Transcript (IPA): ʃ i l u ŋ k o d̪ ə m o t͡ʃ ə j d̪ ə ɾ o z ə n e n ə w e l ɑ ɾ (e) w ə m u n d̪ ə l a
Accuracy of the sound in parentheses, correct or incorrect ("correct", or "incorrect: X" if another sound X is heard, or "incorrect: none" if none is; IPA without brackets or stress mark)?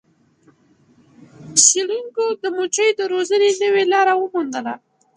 incorrect: a